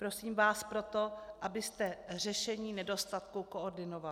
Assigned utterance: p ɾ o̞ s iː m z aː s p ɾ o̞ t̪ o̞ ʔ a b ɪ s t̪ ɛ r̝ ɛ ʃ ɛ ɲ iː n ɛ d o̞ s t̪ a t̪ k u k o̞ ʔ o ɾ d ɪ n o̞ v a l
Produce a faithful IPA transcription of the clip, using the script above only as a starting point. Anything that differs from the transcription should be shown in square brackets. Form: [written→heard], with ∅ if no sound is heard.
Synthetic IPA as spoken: p ɾ o̞ s iː m [z→v] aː s p ɾ o̞ t̪ o̞ ʔ a b ɪ s t̪ ɛ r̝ ɛ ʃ ɛ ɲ iː n ɛ d o̞ s t̪ a t̪ k u k o̞ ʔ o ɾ d ɪ n o̞ v a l